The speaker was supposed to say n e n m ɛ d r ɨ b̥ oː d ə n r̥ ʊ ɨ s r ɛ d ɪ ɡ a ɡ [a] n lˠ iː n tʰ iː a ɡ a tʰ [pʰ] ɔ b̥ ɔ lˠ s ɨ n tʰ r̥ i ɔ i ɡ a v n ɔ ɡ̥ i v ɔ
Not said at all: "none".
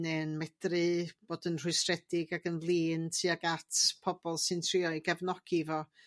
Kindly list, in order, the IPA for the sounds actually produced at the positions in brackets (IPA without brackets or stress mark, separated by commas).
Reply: ə, pʰ